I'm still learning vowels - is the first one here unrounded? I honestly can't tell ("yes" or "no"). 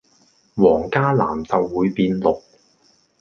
no